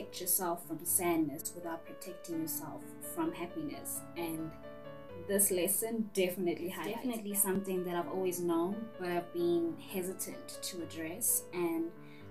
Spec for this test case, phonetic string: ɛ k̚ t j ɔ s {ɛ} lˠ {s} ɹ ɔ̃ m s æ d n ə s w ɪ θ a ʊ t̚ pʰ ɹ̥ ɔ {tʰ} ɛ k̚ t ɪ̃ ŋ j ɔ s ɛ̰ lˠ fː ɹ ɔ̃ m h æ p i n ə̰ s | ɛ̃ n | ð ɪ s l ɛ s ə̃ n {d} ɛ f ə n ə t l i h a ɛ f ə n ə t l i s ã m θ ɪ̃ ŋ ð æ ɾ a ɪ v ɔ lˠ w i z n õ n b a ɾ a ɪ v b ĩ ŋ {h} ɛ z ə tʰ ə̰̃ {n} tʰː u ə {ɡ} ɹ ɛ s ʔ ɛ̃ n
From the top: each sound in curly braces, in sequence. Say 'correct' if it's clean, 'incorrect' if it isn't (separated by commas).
correct, incorrect, correct, correct, correct, correct, incorrect